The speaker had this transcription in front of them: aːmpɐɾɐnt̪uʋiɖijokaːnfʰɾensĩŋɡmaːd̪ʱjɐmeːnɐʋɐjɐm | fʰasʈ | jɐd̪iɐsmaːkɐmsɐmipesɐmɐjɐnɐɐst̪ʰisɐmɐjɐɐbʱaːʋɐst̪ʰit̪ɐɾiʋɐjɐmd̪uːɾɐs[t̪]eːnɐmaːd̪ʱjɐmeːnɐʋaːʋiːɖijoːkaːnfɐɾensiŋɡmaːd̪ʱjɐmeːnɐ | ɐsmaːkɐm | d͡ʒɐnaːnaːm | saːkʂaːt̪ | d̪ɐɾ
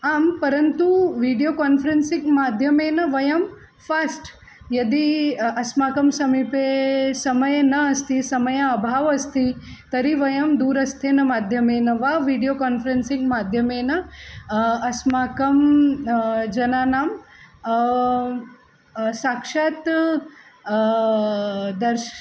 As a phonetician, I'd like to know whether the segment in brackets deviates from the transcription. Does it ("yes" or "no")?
yes